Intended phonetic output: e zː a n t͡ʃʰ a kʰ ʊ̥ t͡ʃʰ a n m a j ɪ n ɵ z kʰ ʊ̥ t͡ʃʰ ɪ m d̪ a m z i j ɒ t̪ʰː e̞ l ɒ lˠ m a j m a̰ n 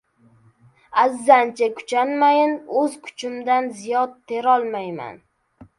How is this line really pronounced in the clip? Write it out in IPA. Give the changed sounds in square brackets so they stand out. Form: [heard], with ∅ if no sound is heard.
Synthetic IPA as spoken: [a] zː a n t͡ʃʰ a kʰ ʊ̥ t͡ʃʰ a n m a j ɪ n ɵ z kʰ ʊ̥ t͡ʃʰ ɪ m d̪ a [n] z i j ɒ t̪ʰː e̞ [ɾ] ɒ lˠ m a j m a̰ n